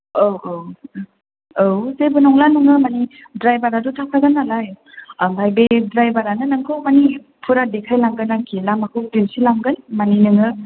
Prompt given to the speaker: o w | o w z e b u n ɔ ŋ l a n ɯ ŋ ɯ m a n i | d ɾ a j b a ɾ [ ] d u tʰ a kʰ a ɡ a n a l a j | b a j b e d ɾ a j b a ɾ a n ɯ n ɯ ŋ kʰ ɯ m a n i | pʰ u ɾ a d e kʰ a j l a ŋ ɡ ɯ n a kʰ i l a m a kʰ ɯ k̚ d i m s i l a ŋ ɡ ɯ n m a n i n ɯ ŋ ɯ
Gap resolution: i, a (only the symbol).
a